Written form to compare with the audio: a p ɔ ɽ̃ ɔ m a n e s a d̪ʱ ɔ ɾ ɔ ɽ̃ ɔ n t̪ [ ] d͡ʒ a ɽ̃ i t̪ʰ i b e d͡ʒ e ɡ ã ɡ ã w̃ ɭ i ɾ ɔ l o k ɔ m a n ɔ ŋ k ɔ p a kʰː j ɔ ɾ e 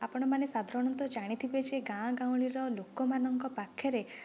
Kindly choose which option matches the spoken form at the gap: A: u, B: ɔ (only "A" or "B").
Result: B